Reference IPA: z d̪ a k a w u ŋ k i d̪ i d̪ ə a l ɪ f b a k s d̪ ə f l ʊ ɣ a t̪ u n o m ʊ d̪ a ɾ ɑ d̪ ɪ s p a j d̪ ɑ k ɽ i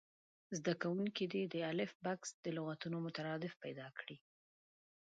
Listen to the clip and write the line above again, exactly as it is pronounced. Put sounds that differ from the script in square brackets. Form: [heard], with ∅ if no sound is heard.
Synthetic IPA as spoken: z d̪ a k a w u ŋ k i d̪ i d̪ ə a l ɪ f b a k s d̪ ə [∅] l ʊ ɣ a t̪ u n o m ʊ [t̪] a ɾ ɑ d̪ ɪ [f] p a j d̪ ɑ k ɽ i